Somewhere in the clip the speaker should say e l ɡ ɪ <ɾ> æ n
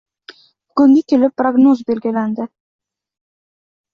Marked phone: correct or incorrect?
incorrect: l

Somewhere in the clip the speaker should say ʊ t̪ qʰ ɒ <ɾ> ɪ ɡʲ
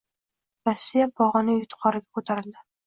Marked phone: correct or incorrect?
correct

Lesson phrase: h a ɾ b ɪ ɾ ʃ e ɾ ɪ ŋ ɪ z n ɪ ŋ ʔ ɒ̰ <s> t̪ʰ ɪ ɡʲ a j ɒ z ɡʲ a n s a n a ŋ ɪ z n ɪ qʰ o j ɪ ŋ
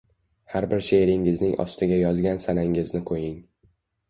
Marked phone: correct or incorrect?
correct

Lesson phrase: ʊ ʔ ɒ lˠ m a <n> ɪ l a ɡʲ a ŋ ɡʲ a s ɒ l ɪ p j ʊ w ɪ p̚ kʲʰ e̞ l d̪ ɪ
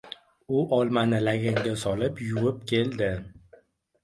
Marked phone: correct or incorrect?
correct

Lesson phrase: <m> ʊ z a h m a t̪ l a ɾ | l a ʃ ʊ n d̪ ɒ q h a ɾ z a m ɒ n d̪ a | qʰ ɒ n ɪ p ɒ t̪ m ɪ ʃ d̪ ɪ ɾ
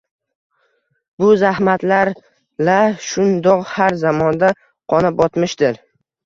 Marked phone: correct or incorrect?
incorrect: b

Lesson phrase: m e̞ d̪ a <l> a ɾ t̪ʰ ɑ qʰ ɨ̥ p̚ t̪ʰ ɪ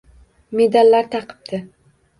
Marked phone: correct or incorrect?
incorrect: lː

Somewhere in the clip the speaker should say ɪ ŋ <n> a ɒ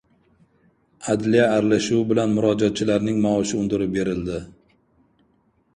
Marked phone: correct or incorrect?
incorrect: m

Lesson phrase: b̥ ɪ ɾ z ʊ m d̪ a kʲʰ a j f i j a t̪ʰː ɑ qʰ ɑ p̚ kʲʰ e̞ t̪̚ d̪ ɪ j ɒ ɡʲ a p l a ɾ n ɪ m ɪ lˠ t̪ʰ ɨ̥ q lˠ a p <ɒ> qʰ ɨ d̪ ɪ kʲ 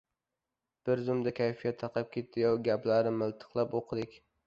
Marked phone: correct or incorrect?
incorrect: o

